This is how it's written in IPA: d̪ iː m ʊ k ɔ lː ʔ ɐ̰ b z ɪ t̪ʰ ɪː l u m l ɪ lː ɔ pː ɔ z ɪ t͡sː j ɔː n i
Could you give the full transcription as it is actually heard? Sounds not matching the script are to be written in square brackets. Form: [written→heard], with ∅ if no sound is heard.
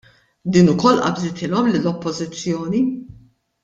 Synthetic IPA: d̪ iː [m→n] ʊ k ɔ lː ʔ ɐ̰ b z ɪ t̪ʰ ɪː l [u→ɔ] m l ɪ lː ɔ pː ɔ z ɪ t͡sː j ɔː n i